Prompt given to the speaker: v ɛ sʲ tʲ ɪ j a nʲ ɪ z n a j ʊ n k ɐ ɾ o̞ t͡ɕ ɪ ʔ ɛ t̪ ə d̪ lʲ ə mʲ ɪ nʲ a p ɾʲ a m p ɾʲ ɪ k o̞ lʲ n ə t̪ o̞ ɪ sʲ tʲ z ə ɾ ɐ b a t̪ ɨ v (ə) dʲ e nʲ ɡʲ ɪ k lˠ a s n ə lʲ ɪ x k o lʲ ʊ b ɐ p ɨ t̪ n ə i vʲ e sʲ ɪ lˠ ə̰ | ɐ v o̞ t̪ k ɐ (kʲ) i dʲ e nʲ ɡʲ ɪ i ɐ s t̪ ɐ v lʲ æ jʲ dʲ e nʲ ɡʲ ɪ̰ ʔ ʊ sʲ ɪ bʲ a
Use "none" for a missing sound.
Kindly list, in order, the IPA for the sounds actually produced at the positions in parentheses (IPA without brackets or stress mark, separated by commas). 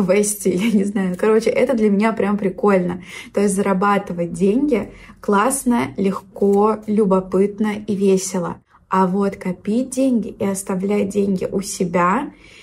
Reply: ə, pʲ